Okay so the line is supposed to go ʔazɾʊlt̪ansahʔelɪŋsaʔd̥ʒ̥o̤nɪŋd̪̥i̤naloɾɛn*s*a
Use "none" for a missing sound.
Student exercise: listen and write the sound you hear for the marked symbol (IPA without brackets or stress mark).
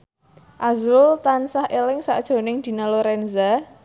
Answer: z